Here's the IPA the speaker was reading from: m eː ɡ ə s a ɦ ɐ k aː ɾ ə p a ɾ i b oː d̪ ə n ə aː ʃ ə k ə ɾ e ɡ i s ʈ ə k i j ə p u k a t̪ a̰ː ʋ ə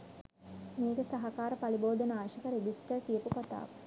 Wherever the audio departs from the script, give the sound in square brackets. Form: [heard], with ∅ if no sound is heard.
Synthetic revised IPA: m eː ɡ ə s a ɦ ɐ k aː ɾ ə p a [l] i b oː d̪ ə n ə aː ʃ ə k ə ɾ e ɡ i s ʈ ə k i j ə p u k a t̪ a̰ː ʋ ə

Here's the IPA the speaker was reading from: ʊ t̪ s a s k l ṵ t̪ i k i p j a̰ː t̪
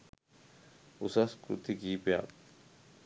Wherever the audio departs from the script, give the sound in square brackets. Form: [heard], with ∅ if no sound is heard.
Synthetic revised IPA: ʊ [∅] s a s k [ɾ] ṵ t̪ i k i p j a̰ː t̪

